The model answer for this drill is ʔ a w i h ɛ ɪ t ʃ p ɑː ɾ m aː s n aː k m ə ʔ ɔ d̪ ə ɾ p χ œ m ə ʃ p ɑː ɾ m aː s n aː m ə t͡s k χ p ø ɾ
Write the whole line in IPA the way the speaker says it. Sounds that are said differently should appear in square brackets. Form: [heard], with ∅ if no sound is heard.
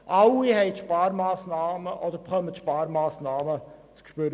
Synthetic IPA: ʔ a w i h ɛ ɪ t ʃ p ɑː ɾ m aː s n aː [∅] m ə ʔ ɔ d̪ ə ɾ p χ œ m ə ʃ p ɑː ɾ m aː s n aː m ə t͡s k [ʃ] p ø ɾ